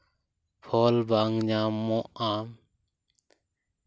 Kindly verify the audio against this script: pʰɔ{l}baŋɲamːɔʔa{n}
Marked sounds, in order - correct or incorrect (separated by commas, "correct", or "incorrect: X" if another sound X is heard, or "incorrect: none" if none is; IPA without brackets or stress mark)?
correct, incorrect: m